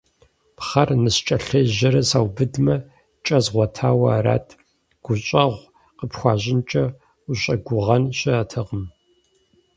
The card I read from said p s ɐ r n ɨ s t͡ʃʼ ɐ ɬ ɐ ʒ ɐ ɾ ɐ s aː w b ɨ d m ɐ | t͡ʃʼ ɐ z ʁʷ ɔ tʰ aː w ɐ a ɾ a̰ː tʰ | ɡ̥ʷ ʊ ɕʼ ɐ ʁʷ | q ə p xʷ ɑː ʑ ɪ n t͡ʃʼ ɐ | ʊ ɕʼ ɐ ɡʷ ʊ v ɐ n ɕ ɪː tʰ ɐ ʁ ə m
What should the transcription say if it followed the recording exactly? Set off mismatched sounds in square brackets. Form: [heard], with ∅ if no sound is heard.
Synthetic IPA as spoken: p [χ] ɐ r n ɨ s t͡ʃʼ ɐ ɬ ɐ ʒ ɐ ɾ ɐ s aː w b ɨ d m ɐ | t͡ʃʼ ɐ z ʁʷ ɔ tʰ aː w ɐ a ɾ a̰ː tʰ | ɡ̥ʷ ʊ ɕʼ ɐ ʁʷ | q ə p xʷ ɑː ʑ ɪ n t͡ʃʼ ɐ | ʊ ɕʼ ɐ ɡʷ ʊ [ʁ] ɐ n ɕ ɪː tʰ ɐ ʁ ə m